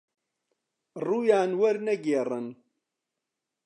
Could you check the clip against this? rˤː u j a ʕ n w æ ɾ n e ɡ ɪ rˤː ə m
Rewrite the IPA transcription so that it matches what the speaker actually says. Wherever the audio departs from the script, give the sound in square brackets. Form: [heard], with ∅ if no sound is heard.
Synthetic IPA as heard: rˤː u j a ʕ n w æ ɾ n [æ] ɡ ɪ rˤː ə [n]